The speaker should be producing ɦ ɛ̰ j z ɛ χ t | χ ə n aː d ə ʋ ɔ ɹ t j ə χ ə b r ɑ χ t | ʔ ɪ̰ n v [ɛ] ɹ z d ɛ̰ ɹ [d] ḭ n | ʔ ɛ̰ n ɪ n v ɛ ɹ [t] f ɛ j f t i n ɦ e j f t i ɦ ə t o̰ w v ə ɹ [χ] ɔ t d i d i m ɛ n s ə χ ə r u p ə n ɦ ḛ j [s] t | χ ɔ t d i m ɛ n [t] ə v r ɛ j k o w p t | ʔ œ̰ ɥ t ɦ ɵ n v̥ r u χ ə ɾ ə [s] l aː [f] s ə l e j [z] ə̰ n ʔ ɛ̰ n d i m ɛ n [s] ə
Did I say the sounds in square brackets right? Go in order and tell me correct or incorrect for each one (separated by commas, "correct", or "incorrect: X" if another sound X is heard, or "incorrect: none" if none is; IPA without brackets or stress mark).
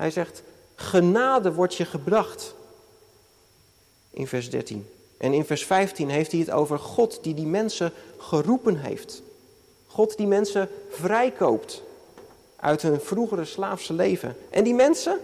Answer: correct, incorrect: t, incorrect: s, correct, incorrect: f, incorrect: s, correct, correct, incorrect: v, correct